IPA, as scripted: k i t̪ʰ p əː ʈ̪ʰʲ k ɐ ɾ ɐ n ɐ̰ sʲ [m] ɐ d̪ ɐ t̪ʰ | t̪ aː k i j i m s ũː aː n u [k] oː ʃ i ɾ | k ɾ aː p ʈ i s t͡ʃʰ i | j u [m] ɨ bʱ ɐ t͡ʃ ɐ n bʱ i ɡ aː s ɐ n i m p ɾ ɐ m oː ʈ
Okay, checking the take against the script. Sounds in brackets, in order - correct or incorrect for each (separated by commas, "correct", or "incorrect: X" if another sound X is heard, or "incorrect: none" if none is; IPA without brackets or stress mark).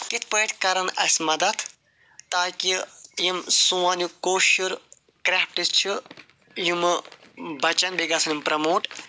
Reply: correct, correct, correct